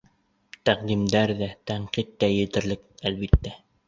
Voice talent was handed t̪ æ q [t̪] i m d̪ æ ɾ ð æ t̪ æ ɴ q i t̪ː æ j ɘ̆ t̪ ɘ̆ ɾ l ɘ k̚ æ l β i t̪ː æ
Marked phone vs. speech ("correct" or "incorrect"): incorrect